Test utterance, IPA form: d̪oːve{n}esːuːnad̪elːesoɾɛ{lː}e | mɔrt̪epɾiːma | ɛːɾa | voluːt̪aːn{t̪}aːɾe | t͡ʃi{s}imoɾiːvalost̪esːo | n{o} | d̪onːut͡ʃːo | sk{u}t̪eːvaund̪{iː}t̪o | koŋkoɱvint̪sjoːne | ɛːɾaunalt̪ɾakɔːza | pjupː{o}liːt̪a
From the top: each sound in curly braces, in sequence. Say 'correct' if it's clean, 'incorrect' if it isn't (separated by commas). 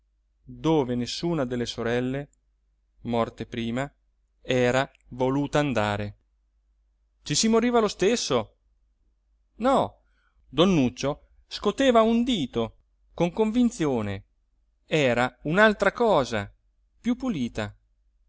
correct, correct, incorrect, correct, incorrect, incorrect, correct, incorrect